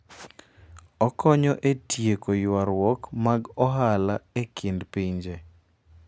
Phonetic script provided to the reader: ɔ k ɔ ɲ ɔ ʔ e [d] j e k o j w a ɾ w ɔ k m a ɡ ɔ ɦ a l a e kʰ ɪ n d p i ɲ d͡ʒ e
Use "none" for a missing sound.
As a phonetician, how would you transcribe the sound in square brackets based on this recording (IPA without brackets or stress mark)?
t